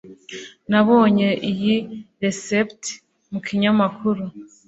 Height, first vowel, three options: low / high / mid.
low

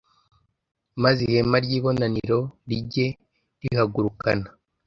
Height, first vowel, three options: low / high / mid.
low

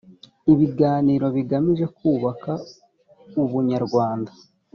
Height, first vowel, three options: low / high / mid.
high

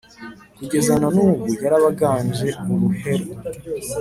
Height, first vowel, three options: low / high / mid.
high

